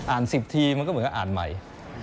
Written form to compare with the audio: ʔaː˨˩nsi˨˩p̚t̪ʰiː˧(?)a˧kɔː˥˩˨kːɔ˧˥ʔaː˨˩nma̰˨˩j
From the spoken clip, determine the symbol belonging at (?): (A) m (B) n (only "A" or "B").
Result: A